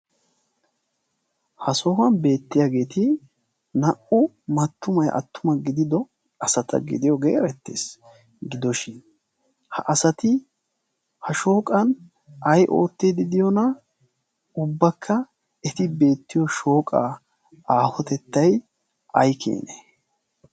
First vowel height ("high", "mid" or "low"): low